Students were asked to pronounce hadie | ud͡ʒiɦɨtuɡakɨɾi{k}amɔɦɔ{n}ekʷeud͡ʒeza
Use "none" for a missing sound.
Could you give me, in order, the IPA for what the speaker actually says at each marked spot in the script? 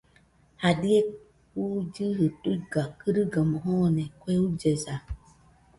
ɡ, n

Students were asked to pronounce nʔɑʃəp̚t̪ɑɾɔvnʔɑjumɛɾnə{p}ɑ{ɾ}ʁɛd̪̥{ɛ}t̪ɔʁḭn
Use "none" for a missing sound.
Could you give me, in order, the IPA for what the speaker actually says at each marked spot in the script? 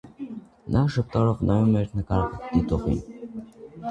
k, ɾ, i

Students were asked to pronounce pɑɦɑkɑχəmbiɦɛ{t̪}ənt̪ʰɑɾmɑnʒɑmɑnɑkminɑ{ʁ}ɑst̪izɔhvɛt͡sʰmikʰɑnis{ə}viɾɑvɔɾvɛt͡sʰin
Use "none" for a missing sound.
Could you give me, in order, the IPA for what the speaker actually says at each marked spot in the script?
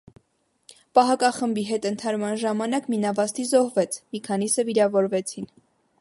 t̪, v, ə

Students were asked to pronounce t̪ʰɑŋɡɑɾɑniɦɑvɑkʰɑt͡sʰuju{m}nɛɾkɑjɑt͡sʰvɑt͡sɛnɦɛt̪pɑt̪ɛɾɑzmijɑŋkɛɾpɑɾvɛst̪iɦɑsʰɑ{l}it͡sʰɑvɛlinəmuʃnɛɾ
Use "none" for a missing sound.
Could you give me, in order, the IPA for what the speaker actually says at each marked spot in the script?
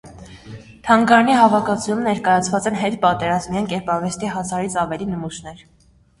m, ɾ

